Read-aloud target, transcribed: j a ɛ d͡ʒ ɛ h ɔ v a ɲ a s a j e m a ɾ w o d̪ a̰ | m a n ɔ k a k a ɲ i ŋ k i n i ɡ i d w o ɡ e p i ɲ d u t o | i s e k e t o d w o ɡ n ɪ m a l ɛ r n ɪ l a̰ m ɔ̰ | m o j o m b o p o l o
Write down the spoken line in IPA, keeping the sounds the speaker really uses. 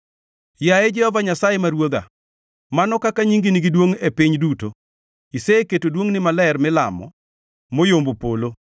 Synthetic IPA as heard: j a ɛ d͡ʒ ɛ h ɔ v a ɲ a s a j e m a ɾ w o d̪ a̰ | m a n ɔ k a k a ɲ i ŋ ɡ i n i ɡ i d w o ŋ e p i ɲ d u t o | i s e k e t o d w o ŋ n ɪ m a l ɛ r m ɪ l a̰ m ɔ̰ | m o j o m b o p o l o